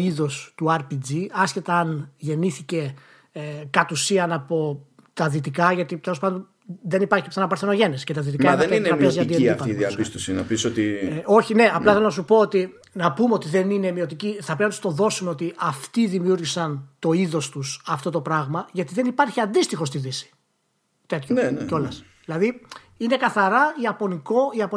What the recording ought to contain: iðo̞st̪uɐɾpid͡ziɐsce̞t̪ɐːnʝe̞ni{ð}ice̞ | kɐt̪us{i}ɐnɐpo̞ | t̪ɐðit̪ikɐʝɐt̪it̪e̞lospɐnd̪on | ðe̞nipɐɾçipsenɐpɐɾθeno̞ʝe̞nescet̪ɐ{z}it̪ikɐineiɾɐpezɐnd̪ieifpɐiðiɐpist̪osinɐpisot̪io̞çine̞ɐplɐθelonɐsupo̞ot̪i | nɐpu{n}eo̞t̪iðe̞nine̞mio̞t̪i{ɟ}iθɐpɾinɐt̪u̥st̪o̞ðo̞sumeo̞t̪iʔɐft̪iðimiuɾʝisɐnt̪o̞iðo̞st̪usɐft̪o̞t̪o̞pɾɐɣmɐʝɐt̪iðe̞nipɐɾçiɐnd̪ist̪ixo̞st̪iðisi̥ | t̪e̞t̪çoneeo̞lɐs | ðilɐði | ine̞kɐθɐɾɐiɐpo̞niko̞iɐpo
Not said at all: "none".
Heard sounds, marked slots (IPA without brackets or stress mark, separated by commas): θ, i, ð, m, c